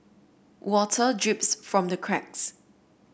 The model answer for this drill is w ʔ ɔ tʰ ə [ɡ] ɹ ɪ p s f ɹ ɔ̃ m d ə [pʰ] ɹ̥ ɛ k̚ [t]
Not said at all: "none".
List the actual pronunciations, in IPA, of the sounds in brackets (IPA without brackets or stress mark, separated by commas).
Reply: d, kʰ, s